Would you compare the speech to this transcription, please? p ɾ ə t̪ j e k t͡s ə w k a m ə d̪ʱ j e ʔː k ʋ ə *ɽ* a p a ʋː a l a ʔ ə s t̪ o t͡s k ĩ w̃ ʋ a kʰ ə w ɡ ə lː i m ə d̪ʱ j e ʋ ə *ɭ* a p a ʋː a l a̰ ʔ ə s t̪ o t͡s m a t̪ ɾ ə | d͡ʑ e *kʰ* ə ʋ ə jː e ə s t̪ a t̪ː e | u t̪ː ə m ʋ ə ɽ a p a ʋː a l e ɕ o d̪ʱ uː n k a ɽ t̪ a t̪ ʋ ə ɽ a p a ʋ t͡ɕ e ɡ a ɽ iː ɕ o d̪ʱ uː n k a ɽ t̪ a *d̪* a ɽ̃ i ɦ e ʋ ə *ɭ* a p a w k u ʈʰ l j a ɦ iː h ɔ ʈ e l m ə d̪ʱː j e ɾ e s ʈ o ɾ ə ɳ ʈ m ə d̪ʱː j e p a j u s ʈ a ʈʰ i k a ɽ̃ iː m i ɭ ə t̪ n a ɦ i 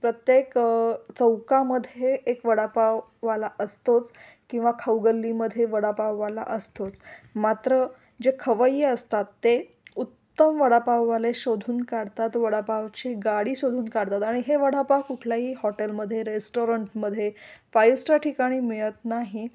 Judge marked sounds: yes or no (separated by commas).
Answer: yes, no, yes, no, no